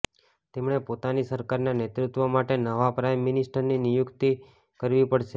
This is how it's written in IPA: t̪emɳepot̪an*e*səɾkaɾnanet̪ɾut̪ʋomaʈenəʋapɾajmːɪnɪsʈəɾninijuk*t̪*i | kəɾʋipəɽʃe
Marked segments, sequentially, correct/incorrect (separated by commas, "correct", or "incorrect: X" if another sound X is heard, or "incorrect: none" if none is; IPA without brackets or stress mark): incorrect: i, correct